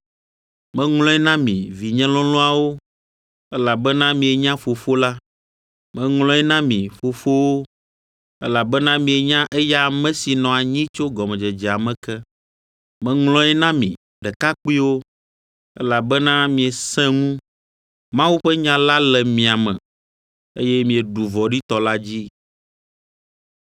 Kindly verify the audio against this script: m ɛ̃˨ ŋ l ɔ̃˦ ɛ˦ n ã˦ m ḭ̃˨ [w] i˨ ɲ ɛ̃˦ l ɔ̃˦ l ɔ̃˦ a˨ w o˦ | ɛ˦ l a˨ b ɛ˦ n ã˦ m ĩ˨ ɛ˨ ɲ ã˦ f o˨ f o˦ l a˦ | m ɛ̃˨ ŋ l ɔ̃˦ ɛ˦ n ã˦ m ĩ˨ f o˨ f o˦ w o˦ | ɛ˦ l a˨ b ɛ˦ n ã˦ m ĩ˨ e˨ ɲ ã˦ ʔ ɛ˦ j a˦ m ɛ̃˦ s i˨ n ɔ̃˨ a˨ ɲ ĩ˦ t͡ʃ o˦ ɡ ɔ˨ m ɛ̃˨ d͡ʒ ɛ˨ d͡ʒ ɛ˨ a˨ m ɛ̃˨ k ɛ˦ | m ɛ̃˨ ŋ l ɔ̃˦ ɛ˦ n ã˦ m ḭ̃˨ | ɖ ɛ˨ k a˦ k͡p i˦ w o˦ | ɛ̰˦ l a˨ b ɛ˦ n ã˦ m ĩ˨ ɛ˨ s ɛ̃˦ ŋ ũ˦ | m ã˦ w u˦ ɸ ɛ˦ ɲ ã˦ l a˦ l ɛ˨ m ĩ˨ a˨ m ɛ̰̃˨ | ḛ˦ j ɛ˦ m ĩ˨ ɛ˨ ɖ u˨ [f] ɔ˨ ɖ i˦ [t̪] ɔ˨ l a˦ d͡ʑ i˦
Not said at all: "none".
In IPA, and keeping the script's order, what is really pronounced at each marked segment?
v, v, t̪

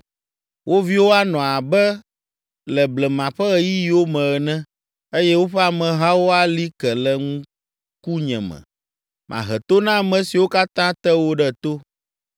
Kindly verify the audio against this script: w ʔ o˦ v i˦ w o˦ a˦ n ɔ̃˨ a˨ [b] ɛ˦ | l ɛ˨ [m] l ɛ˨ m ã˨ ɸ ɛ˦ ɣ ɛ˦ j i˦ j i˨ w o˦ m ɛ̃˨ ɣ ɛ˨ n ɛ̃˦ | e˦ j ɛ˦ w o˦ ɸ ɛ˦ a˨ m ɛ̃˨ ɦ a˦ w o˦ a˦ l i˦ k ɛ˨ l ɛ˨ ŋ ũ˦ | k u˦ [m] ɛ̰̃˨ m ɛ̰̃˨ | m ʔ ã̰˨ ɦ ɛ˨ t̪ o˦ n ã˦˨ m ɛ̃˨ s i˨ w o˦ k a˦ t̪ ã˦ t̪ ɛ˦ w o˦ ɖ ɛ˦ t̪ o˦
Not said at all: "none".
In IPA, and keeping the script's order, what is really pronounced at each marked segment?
b, b, ɲ

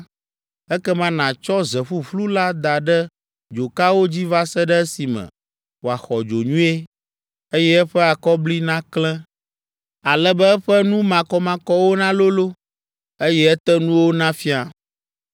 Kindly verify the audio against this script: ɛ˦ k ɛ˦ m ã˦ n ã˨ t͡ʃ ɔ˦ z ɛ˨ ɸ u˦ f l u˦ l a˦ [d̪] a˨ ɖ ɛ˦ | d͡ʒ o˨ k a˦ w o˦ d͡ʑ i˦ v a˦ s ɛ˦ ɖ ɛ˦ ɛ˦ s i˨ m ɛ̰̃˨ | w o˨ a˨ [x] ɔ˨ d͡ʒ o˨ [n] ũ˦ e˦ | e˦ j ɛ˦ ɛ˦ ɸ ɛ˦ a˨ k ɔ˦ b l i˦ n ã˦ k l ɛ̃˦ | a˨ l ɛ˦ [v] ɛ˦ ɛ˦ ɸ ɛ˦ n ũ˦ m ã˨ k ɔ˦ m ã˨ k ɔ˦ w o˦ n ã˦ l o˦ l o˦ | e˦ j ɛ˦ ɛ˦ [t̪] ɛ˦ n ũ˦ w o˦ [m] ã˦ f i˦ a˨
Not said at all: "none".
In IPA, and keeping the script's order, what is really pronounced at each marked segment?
d̪, x, ɲ, b, t̪, n

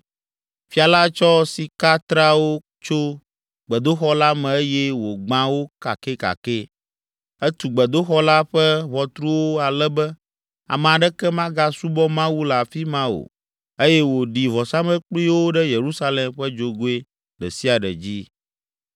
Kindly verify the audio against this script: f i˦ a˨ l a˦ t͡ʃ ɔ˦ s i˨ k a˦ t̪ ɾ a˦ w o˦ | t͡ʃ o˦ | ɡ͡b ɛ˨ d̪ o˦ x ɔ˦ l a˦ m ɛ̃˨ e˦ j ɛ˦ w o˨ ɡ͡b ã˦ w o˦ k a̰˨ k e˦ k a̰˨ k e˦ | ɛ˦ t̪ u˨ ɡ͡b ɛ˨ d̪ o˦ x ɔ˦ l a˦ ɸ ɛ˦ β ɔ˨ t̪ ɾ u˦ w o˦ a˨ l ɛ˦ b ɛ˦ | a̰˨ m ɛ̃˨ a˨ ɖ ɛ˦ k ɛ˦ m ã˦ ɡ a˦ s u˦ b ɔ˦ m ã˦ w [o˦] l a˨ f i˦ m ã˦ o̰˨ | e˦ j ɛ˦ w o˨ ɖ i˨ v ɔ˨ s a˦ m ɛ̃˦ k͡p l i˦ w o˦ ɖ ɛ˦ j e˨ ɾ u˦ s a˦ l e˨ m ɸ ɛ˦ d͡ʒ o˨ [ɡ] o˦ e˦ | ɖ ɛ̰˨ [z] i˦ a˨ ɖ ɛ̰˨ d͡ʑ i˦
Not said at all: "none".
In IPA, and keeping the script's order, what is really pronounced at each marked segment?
u˦, ɡ, s

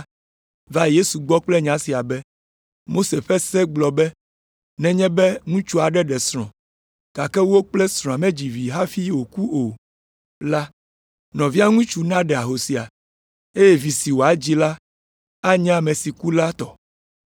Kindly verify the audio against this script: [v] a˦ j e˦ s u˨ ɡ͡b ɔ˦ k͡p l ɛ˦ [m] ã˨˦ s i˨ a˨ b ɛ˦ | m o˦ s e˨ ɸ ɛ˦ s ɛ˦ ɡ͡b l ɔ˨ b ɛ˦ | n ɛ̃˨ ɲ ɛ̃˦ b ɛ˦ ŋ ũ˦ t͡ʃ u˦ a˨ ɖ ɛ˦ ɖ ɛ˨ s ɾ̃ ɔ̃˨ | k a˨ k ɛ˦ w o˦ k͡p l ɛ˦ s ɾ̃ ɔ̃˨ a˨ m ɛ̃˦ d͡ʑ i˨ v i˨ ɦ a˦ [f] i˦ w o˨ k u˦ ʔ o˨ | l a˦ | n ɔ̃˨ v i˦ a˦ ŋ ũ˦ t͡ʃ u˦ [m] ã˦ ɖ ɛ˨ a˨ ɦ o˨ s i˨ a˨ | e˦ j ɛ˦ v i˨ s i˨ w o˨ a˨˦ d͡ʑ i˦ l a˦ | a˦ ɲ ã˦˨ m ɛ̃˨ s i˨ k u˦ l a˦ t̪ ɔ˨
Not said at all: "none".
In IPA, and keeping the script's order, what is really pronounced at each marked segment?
v, ɲ, f, n

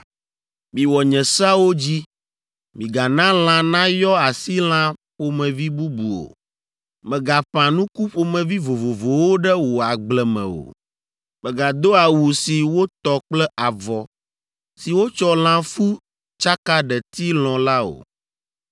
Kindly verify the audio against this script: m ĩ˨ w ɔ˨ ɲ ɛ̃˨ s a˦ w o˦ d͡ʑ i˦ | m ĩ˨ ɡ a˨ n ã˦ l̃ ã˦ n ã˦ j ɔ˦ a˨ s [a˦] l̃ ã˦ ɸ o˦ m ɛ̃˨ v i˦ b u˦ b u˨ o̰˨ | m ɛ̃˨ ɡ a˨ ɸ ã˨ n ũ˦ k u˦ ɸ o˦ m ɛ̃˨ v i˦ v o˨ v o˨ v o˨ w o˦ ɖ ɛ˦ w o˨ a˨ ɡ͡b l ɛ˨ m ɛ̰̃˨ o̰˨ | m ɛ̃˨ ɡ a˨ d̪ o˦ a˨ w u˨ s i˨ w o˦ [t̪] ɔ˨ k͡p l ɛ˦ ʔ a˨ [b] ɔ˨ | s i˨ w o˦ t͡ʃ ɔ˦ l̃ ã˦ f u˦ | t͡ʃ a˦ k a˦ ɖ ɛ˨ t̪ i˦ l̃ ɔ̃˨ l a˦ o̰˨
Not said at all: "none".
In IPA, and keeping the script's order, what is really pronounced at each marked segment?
i˦, t̪, v

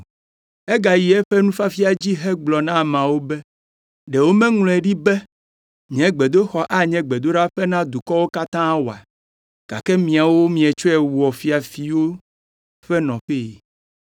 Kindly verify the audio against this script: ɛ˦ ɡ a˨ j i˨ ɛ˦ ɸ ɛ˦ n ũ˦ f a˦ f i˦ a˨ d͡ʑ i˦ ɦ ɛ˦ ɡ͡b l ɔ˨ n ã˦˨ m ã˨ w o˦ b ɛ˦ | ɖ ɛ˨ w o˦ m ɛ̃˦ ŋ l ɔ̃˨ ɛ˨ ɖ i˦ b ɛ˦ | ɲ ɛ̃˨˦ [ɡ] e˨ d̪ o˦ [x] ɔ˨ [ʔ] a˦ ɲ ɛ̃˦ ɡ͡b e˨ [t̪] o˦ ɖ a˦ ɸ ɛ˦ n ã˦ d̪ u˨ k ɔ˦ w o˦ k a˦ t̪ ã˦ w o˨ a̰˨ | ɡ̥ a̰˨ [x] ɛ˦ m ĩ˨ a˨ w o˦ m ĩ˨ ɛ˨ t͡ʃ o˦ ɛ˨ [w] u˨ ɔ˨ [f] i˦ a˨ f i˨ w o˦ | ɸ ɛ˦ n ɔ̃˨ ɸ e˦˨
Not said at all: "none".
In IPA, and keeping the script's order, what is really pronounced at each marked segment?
ɡ͡b, x, ʔ, d̪, k, w, f

